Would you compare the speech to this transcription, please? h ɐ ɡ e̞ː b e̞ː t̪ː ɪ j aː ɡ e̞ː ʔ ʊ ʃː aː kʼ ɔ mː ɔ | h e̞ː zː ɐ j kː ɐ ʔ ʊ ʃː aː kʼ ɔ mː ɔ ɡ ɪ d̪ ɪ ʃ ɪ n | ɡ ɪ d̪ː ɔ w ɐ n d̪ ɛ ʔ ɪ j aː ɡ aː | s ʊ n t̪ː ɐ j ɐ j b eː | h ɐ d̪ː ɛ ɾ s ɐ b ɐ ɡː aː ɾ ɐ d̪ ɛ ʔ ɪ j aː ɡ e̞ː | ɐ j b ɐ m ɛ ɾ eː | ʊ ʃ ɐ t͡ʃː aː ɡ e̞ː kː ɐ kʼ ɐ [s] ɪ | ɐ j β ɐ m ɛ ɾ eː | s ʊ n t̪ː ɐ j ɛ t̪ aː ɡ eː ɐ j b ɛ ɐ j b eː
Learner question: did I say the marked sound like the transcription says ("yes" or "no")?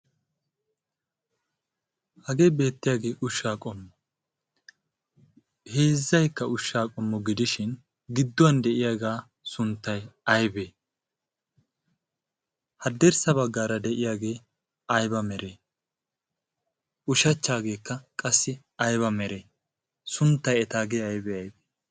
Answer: no